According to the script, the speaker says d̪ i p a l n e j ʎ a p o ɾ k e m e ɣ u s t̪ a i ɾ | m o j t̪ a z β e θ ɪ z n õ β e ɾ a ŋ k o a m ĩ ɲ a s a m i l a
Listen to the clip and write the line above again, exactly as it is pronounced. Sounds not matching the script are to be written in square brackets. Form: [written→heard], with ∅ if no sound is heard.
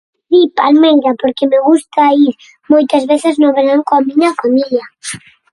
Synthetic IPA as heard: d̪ i p a l [n→m] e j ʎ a p o ɾ k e m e ɣ u s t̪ a i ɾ | m o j t̪ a z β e θ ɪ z n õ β e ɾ a ŋ k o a m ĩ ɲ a [s→f] a m i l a